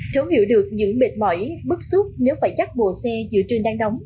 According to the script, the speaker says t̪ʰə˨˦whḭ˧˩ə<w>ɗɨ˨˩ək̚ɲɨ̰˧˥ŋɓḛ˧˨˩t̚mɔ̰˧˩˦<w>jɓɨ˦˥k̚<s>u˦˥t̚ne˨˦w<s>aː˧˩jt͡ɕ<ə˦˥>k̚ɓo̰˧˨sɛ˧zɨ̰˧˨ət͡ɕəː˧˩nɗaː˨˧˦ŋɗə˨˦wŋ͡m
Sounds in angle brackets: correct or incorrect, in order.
correct, incorrect: none, correct, incorrect: f, incorrect: a˦˥

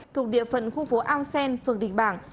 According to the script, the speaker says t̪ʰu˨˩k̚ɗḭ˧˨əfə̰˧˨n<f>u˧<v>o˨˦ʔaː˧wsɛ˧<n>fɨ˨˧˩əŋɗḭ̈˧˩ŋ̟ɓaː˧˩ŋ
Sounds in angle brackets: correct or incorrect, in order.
incorrect: x, incorrect: f, correct

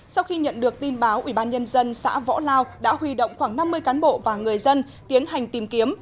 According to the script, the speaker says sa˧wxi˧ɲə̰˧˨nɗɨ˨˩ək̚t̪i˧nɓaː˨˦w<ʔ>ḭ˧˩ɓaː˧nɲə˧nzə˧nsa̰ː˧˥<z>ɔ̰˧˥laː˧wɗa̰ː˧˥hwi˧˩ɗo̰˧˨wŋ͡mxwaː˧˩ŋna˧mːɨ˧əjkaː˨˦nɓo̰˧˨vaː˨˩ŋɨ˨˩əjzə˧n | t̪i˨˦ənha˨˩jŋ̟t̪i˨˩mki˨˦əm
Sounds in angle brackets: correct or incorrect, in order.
correct, incorrect: v

